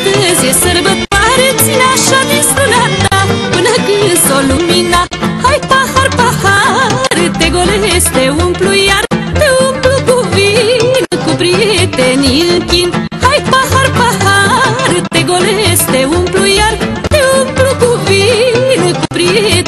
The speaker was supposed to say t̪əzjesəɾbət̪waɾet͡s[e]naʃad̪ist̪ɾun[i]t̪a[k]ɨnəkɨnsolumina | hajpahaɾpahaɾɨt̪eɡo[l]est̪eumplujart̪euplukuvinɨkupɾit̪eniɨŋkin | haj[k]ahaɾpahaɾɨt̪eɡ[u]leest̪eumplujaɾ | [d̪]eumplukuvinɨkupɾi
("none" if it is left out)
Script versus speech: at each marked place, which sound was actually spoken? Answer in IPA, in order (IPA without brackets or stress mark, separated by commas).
i, a, p, l, p, o, t̪